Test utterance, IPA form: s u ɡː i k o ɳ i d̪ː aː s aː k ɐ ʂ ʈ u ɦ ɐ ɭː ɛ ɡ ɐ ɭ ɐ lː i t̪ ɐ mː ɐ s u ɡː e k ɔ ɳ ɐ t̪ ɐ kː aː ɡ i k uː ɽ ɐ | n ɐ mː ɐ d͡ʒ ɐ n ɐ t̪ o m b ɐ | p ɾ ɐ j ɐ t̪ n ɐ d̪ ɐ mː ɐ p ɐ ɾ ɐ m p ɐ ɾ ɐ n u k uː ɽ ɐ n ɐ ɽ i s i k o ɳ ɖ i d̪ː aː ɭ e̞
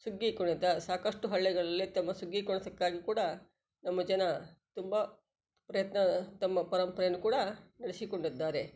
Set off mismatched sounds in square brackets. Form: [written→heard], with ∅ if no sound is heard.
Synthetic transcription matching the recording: s u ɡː i k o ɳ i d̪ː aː s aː k ɐ ʂ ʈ u ɦ ɐ ɭː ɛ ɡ ɐ ɭ ɐ lː i t̪ ɐ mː ɐ s u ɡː [e→i] k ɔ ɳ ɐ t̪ ɐ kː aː ɡ i k uː ɽ ɐ | n ɐ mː ɐ d͡ʒ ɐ n ɐ t̪ [o→u] m b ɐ | p ɾ ɐ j ɐ t̪ n ɐ [d̪→t̪] ɐ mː ɐ p ɐ ɾ ɐ m p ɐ ɾ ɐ n u k uː ɽ ɐ n ɐ ɽ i s i k o ɳ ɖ i d̪ː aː [ɭ→ɾ] e̞